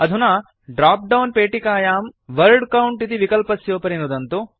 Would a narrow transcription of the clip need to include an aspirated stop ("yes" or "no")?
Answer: no